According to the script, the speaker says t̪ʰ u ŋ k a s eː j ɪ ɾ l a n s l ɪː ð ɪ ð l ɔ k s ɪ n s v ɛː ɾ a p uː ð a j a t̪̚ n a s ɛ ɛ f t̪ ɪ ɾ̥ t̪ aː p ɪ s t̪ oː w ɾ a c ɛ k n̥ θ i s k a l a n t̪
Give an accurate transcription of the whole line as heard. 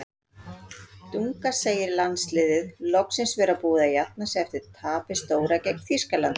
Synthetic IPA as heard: t̪ u ŋ k a s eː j ɪ ɾ l a n s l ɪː ð ɪ ð l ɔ k s ɪ n s v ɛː ɾ a p uː ð a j a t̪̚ n a s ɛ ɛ f t̪ ɪ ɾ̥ t̪ʰ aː p ɪ s t̪ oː w ɾ a c ɛ k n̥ θ i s k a l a n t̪

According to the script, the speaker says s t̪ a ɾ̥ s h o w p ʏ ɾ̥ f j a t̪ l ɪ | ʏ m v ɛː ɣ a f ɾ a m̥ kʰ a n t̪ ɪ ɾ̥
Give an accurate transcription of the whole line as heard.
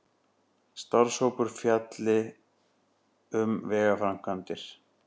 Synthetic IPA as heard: s t̪ a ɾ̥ s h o w p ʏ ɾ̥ f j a t̪ l ɪ | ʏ m v ɛː ɣ a f ɾ a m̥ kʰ a n t̪ ɪ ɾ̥

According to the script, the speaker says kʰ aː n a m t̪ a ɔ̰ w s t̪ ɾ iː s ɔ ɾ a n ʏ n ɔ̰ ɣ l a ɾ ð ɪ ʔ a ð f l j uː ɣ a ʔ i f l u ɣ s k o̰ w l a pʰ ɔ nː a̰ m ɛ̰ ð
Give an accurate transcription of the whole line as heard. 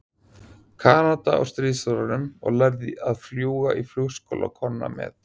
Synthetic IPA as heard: kʰ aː n a t̪ a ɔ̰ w s t̪ ɾ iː s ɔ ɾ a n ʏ m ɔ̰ ɣ l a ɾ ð ɪ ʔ a ð f l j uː ɣ a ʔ i f l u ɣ s k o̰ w l a kʰ ɔ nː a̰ m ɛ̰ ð

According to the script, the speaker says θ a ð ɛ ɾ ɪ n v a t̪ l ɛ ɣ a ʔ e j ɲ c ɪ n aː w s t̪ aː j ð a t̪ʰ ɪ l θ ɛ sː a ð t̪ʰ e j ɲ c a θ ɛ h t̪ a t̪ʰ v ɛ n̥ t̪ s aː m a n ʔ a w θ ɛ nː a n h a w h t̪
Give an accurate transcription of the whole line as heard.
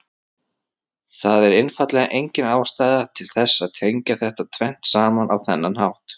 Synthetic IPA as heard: θ a ð ɛ ɾ ɪ n f a t̪ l ɛ ɣ a ʔ e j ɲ c ɪ n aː w s t̪ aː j ð a t̪ʰ ɪ l θ ɛ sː a ð t̪ʰ e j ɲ c a θ ɛ h t̪ a t̪ʰ v ɛ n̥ t̪ s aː m a n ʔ a w θ ɛ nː a n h a w h t̪

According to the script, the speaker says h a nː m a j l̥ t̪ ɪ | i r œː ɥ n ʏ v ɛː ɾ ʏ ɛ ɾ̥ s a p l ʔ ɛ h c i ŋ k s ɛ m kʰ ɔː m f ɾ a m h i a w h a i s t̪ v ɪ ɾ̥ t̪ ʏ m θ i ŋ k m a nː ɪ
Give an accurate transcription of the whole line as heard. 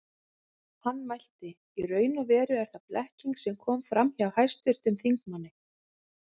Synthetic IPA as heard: h a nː m a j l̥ t̪ ɪ | i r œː ɥ n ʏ v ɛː ɾ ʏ ɛ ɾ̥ θ a p l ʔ ɛ h c i ŋ k s ɛ m kʰ ɔː m f ɾ a m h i a w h a j s t̪ v ɪ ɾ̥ t̪ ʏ m θ i ŋ k m a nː ɪ

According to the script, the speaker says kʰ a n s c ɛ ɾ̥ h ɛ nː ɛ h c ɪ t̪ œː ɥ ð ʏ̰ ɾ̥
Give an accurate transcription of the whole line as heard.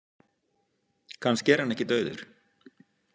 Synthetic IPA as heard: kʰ a n s c ɛ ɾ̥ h a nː ɛ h c ɪ t̪ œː ɥ ð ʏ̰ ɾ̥

